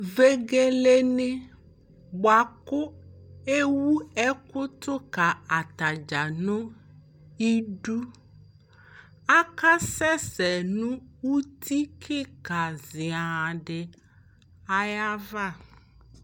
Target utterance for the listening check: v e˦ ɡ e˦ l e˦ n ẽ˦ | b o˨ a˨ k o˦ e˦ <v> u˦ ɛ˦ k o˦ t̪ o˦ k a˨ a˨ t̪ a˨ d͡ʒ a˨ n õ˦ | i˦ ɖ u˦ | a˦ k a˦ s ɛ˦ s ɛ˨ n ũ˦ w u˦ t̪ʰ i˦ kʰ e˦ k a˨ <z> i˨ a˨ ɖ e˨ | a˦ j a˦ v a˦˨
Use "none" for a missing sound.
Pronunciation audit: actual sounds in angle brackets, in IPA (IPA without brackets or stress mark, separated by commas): w, z